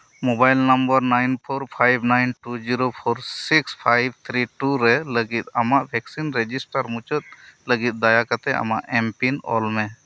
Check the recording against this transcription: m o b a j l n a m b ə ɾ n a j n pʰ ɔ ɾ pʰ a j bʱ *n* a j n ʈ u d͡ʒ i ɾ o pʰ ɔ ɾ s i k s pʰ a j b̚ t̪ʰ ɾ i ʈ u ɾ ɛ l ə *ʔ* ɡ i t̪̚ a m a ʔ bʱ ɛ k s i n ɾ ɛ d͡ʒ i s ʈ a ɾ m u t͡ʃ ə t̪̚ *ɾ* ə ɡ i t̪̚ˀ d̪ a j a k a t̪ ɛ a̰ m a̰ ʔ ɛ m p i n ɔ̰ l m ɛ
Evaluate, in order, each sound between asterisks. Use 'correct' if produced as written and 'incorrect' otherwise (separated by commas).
correct, incorrect, incorrect